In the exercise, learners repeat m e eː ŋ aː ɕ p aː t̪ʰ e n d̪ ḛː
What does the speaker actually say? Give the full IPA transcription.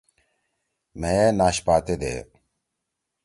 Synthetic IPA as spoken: m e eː n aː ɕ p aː t̪ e d̪ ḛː